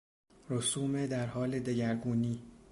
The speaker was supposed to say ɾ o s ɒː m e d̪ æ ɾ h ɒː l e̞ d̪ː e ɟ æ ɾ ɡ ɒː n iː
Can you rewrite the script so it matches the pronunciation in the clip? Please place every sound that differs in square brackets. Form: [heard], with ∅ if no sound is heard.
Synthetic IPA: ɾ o s [uː] m e d̪ æ ɾ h ɒː l e̞ [d̪] e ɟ æ ɾ ɡ [uː] n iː